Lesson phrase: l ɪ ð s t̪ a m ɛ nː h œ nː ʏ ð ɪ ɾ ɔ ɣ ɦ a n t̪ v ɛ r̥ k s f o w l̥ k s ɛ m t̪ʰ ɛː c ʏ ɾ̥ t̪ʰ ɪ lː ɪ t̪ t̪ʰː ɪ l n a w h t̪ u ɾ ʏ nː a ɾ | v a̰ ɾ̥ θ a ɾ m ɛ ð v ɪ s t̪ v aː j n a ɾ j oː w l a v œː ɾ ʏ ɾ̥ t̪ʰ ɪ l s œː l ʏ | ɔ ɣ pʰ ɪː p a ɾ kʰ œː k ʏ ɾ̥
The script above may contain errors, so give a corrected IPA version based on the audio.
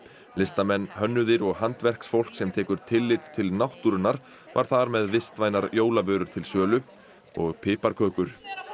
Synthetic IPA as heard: l ɪ s t̪ a m ɛ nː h œ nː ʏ ð ɪ ɾ ɔ ɣ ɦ a n t̪ v ɛ r̥ k s f o w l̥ k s ɛ m t̪ʰ ɛː k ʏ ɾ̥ t̪ʰ ɪ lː ɪ t̪ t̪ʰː ɪ l n a w h t̪ u ɾ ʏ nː a ɾ | v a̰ ɾ̥ θ a ɾ m ɛ ð v ɪ s t̪ v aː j n a ɾ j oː w l a v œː ɾ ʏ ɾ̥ t̪ʰ ɪ l s œː l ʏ | ɔ ɣ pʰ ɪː p a ɾ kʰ œː k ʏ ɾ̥